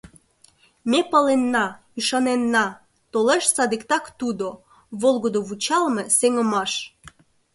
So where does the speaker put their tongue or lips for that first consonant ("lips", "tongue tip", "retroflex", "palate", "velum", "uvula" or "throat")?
lips